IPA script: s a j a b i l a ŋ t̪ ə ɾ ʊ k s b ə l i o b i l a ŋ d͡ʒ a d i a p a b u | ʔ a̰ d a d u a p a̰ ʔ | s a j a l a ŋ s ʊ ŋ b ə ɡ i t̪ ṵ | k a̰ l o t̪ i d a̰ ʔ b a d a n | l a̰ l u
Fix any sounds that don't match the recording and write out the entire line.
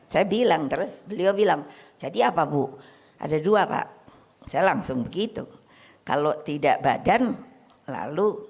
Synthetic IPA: s a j a b i l a ŋ t̪ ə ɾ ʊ s b ə l i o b i l a ŋ d͡ʒ a d i a p a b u | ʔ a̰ d a d u a p a̰ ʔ | s a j a l a ŋ s ʊ ŋ b ə ɡ i t̪ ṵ | k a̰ l o t̪ i d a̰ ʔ b a d a n | l a̰ l u